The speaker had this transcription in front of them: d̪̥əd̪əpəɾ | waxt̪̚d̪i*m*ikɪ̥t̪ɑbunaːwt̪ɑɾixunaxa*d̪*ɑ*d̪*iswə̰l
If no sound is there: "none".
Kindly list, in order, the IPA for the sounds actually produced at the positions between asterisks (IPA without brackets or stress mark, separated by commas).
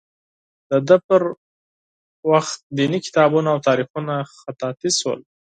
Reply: n, t̪, t̪